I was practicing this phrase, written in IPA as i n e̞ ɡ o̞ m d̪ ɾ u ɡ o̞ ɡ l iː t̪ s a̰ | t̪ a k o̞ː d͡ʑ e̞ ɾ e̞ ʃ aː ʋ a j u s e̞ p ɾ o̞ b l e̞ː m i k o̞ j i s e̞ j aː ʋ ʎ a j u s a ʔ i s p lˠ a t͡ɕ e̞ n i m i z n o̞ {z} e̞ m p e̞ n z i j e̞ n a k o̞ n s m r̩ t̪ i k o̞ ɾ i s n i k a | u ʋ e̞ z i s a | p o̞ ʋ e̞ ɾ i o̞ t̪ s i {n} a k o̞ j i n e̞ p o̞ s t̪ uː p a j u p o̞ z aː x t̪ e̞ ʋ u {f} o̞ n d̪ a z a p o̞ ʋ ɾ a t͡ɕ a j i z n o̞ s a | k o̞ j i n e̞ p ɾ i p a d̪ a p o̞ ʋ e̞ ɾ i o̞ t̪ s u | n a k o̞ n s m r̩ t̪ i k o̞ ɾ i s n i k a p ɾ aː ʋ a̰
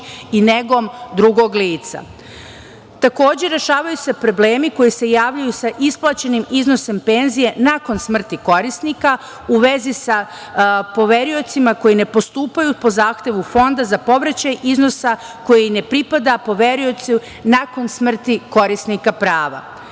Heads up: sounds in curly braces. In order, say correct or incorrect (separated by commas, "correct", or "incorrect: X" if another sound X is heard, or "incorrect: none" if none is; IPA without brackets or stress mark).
incorrect: s, incorrect: m, correct